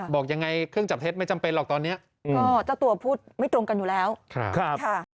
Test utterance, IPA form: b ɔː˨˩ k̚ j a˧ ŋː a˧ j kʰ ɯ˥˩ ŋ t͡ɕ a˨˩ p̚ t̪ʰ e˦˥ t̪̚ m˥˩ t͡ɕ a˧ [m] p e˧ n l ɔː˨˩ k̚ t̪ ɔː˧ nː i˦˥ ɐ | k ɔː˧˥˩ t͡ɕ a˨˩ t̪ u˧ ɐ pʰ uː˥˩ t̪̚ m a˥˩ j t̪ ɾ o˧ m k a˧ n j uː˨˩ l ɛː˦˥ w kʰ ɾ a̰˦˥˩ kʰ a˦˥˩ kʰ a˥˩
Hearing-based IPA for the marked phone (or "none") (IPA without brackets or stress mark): m